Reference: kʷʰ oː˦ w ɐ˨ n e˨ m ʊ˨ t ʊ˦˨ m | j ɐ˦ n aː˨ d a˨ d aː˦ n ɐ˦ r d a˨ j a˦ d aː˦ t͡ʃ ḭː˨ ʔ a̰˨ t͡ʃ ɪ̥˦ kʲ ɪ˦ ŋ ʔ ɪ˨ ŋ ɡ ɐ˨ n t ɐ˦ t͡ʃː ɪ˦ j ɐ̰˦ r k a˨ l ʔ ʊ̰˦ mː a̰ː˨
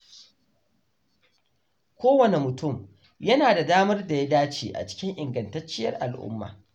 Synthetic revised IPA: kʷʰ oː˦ w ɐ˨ n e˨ m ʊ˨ t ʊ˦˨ m | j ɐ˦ n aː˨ d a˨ d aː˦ m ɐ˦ r d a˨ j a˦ d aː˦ t͡ʃ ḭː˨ ʔ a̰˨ t͡ʃ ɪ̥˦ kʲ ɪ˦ ŋ ʔ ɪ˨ ŋ ɡ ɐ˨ n t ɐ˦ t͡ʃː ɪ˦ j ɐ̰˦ r ʔ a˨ l ʔ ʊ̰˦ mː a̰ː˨